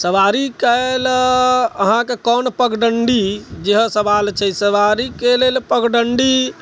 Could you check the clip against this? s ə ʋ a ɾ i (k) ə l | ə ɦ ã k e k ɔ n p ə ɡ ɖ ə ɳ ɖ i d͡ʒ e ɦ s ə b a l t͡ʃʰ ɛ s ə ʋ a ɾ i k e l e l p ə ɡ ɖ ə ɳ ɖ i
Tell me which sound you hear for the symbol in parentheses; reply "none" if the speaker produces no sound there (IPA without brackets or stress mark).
k